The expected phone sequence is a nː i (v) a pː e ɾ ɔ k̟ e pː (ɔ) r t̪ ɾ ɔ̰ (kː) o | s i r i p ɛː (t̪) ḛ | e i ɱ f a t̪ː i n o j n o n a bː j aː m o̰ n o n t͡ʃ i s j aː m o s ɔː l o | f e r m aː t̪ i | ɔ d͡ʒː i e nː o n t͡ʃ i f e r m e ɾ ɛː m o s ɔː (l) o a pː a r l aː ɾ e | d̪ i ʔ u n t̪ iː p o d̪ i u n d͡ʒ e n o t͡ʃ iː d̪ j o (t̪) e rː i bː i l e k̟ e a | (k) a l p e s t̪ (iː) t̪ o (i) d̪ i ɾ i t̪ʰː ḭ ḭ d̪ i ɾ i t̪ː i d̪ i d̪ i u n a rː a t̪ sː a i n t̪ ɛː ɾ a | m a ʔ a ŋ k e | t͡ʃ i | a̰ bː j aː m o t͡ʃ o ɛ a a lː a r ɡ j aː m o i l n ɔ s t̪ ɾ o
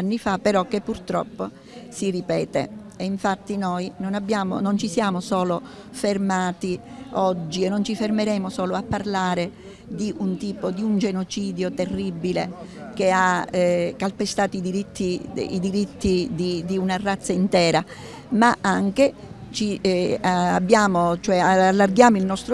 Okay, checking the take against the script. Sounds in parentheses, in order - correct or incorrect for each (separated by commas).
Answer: incorrect, incorrect, incorrect, correct, correct, correct, correct, incorrect, correct